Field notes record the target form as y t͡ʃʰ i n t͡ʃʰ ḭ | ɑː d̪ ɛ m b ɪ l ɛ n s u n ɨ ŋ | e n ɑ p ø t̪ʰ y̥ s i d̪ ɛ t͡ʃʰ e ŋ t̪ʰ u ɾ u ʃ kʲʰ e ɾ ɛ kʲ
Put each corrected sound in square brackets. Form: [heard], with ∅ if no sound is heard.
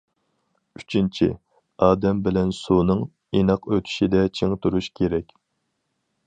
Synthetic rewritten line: y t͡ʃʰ i n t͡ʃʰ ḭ | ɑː d̪ ɛ m b ɪ l ɛ n s u n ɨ ŋ | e n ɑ [q] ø t̪ʰ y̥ [ʃ] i d̪ ɛ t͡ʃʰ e ŋ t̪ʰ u ɾ u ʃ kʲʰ e ɾ ɛ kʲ